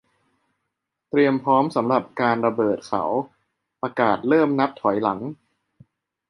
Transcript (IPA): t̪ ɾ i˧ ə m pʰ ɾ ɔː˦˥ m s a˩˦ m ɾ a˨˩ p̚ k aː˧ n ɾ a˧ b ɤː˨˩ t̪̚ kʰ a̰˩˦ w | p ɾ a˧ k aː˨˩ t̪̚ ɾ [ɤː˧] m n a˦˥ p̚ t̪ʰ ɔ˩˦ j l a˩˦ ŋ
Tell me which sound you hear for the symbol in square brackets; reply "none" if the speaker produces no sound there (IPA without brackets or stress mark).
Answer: ɤː˥˩